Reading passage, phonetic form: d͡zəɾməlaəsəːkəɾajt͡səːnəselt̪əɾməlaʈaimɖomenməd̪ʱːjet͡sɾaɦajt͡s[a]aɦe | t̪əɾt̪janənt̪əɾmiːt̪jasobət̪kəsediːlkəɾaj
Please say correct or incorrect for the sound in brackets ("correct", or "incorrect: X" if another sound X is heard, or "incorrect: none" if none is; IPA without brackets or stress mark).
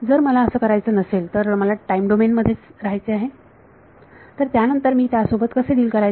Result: incorrect: e